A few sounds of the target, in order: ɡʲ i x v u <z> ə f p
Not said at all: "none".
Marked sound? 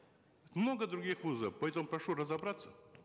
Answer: z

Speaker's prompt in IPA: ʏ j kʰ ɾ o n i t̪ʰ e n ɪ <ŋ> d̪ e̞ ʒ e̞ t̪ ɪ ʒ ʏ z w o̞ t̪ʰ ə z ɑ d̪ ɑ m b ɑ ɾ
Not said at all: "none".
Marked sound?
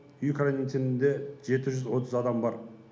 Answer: n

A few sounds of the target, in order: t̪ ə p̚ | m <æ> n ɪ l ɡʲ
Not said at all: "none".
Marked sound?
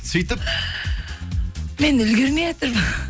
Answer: e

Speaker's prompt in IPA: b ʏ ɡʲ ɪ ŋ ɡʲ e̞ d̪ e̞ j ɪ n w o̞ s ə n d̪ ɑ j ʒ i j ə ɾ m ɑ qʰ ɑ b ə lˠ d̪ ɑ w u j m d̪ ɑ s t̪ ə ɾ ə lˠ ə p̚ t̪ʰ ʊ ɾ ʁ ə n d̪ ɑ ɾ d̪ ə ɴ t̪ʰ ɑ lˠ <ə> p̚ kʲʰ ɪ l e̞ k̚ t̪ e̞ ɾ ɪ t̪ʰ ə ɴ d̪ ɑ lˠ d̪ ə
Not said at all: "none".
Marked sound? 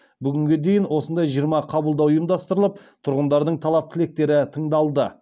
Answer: ɑ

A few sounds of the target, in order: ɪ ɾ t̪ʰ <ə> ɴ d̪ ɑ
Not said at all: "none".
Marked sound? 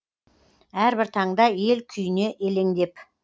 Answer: ɑ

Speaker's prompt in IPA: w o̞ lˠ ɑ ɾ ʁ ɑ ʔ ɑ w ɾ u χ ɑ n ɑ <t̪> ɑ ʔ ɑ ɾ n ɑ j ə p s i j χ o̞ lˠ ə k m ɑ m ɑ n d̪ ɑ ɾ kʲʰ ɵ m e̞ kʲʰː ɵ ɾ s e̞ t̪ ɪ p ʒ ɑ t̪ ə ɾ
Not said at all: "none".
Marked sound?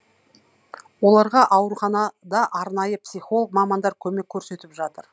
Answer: d̪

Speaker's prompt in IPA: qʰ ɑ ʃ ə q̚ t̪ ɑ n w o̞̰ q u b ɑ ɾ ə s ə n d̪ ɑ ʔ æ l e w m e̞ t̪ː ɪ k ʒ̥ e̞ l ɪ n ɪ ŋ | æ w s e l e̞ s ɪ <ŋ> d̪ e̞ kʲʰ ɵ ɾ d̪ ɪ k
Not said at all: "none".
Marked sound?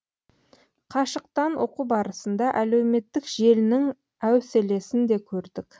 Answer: n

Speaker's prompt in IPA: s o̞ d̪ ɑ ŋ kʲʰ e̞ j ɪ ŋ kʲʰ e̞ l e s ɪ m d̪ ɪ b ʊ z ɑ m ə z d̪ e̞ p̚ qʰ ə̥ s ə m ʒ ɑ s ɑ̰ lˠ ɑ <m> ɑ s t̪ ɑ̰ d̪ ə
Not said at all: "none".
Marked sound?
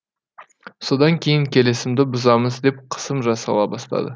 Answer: b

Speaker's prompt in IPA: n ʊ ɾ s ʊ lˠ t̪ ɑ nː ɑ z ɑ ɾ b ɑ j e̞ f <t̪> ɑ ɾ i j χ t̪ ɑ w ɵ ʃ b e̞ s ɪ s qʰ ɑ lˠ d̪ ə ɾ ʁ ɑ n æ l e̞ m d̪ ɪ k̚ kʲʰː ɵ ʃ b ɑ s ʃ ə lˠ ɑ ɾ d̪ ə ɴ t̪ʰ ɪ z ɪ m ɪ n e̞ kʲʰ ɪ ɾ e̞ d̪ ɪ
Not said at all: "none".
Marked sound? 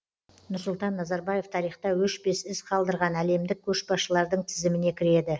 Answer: t̪ʰ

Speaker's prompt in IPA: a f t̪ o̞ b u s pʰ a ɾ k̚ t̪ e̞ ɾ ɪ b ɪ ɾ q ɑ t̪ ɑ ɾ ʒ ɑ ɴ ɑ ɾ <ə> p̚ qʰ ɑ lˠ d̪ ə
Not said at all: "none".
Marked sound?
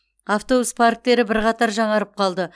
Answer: ə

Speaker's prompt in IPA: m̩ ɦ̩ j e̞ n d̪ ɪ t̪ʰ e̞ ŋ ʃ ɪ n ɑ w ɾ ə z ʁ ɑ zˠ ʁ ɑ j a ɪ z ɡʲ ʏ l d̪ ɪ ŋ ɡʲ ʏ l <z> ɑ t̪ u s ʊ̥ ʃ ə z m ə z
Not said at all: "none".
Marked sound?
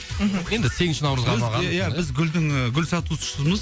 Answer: s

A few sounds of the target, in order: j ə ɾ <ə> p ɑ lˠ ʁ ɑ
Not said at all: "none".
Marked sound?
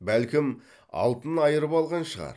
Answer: ə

